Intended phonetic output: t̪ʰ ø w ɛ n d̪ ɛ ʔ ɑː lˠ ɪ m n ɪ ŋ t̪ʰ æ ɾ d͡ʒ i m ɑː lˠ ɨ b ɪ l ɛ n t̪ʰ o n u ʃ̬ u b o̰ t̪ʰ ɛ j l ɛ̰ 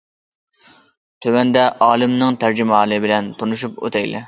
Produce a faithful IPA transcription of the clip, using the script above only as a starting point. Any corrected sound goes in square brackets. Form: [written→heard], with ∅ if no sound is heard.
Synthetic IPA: t̪ʰ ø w ɛ n d̪ ɛ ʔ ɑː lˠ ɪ m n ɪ ŋ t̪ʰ æ ɾ d͡ʒ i m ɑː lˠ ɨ b ɪ l ɛ n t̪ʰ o n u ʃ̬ u [b→p] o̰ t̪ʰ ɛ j l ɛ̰